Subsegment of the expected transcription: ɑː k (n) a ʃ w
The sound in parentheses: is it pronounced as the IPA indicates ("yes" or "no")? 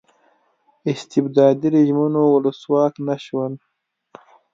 yes